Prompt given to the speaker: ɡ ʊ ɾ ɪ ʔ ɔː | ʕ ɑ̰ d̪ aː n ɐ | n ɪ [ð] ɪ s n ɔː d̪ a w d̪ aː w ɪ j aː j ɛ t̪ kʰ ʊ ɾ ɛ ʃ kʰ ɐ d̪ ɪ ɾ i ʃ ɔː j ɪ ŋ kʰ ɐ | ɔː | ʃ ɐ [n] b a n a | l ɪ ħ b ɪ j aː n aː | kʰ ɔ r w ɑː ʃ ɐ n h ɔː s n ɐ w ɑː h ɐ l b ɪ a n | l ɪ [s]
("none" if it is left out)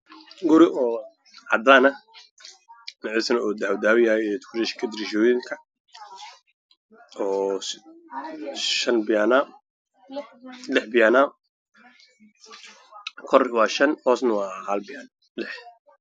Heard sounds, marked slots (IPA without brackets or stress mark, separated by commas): ʕ, n, ħ